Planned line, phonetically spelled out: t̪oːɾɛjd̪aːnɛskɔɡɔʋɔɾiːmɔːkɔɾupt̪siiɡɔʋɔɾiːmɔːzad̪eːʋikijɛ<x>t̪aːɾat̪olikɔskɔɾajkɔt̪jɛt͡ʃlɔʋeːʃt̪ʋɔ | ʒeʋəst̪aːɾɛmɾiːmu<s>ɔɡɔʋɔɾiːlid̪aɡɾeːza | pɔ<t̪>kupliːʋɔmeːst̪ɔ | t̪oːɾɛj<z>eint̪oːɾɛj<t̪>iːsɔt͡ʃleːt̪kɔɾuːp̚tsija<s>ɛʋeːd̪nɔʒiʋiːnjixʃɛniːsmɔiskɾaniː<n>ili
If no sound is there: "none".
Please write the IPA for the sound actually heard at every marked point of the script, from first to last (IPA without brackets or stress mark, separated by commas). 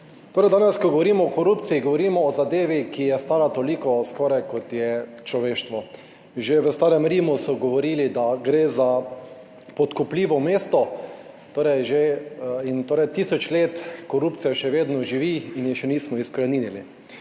s, s, t̪, ʒ, t̪, ʃ, n